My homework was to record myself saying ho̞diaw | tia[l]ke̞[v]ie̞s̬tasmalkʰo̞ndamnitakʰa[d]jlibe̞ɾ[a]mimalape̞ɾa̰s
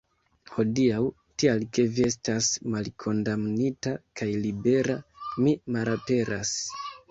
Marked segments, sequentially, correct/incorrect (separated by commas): correct, correct, incorrect, correct